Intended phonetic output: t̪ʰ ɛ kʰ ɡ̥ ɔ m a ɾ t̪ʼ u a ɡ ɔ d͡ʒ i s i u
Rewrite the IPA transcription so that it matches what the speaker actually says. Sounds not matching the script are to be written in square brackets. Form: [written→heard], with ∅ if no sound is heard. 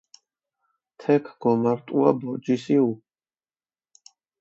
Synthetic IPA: t̪ʰ ɛ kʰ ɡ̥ ɔ m a ɾ t̪ʼ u a [ɡ→b] ɔ d͡ʒ i s i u